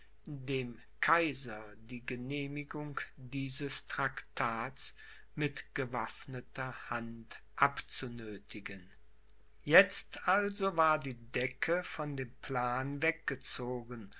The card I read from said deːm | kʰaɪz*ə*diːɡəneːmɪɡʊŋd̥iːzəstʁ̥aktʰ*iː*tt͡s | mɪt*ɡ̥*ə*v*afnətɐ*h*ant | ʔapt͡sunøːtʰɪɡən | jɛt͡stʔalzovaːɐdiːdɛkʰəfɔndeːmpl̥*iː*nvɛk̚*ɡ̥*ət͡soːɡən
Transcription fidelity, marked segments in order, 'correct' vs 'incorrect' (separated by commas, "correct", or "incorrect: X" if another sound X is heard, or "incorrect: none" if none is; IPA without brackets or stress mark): incorrect: ɐ, incorrect: aː, correct, correct, correct, incorrect: aː, correct